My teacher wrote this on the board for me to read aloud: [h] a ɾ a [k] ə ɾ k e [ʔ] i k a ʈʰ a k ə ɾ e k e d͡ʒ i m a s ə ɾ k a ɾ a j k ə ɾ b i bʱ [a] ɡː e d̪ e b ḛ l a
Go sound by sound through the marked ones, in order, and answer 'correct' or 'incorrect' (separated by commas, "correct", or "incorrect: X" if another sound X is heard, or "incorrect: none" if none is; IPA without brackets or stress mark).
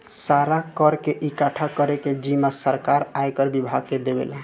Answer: incorrect: s, correct, correct, correct